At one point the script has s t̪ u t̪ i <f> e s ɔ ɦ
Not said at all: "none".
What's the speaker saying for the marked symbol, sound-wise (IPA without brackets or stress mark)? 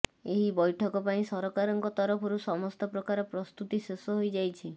s